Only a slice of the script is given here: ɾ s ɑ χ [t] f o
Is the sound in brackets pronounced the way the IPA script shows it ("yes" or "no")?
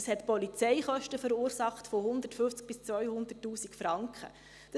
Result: yes